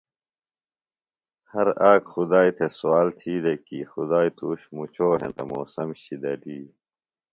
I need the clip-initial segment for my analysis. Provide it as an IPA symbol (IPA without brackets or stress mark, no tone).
h